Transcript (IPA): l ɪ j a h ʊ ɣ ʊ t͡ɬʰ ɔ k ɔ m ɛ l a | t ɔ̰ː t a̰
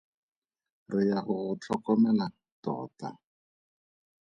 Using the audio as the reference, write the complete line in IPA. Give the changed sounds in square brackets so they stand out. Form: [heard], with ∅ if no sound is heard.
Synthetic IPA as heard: [r] ɪ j a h ʊ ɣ ʊ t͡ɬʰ ɔ k ɔ m ɛ l a | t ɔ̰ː t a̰